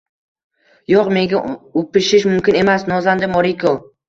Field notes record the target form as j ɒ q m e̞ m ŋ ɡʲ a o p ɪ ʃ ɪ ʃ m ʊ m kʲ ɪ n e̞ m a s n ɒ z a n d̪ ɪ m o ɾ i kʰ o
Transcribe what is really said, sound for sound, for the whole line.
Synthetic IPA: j o q m e̞ ŋ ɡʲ a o p ɪ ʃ ɪ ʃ m ʊ m kʲ ɪ n e̞ m a s n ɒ z a n d̪ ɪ m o ɾ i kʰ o

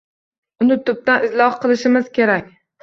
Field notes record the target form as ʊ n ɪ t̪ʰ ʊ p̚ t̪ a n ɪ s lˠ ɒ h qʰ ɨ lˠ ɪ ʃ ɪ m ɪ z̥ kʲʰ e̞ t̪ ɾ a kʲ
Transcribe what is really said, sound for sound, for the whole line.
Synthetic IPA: ʊ n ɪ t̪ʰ ʊ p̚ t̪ a n ɪ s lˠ ɒ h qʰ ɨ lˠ ɪ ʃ ɪ m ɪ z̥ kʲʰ e̞ ɾ a kʲ

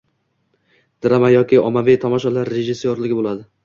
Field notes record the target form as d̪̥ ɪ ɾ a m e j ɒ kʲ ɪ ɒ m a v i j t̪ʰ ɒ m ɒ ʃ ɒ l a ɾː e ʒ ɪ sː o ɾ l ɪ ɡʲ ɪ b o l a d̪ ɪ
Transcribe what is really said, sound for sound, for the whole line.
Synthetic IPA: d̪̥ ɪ ɾ a m a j ɒ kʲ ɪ ɒ m a v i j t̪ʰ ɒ m ɒ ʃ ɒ l a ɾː e ʒ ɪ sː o ɾ l ɪ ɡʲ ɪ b o l a d̪ ɪ

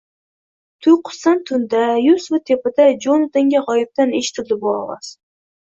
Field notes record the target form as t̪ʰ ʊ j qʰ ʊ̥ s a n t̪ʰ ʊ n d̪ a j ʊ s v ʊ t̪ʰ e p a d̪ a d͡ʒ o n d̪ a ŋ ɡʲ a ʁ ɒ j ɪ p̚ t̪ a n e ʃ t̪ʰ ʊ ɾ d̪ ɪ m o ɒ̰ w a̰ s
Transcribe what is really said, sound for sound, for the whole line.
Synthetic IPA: t̪ʰ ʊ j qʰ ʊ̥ s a n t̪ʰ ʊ n d̪ a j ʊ s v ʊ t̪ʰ e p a d̪ a d͡ʒ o n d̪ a ŋ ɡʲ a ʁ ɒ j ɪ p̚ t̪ a n e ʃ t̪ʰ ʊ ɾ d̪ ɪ b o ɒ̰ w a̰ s

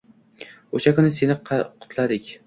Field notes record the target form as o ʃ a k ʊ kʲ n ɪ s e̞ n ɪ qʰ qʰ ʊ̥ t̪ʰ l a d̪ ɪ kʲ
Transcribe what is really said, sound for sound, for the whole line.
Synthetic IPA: o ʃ a k ʊ n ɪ s e̞ n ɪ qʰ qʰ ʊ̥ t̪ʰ l a d̪ ɪ kʲ

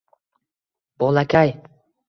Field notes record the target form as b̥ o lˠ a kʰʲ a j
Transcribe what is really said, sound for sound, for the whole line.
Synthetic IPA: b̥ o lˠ a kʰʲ a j

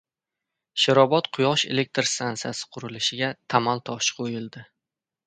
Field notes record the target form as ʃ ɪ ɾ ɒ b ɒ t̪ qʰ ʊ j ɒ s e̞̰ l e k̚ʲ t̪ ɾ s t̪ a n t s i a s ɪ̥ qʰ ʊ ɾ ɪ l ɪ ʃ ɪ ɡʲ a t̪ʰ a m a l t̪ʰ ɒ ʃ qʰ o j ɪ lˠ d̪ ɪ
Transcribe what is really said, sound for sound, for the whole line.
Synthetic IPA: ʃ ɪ ɾ ɒ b ɒ t̪ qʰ ʊ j ɒ ʃ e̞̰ l e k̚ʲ t̪ ɾ s t̪ a n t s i a s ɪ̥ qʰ ʊ ɾ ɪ l ɪ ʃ ɪ ɡʲ a t̪ʰ a m a l t̪ʰ ɒ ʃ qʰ o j ɪ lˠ d̪ ɪ

